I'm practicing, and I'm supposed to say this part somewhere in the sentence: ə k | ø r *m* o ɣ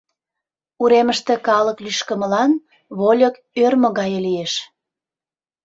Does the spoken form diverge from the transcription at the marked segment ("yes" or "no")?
no